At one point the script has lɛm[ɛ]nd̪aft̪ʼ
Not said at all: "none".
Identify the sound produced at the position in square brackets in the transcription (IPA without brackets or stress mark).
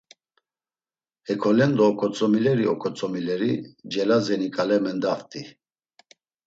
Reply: ɛ